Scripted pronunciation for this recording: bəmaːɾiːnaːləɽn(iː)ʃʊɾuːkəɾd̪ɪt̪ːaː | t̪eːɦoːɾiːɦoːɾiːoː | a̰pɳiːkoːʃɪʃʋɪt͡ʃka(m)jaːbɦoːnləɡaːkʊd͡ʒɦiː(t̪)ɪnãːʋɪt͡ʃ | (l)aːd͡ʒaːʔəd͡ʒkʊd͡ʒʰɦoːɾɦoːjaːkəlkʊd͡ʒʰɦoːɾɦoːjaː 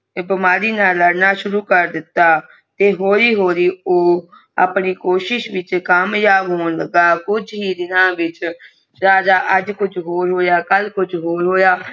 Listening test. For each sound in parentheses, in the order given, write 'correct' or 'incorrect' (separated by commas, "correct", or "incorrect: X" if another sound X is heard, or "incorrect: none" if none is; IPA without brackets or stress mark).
incorrect: aː, correct, incorrect: d̪, incorrect: ɾ